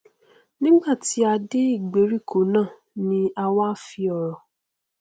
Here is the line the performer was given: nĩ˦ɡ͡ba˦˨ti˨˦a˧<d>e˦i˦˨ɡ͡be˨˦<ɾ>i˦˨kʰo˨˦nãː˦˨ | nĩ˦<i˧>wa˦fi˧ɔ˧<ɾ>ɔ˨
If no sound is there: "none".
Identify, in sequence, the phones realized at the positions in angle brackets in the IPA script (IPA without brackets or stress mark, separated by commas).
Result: d, ɾ, a˧, ɾ